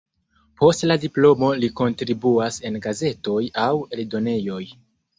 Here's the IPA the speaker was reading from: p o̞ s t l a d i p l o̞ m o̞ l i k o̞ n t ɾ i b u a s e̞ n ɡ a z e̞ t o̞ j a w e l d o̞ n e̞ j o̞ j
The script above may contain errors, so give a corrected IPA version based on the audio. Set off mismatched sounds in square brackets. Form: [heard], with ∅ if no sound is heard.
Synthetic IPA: p o̞ s t l a d i p l o̞ m o̞ l i k o̞ n t ɾ i b u a s e̞ n ɡ a z e̞ t o̞ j a w e l d o̞ n e̞ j o̞ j